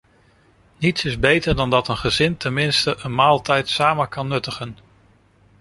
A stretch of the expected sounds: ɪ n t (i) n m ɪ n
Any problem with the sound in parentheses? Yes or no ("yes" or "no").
yes